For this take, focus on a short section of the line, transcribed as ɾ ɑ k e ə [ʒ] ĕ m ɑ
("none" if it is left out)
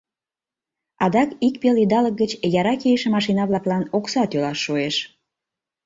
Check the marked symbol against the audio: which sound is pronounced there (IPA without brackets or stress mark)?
ʃ